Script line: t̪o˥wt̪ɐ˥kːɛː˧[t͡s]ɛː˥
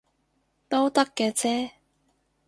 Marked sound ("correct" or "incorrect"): incorrect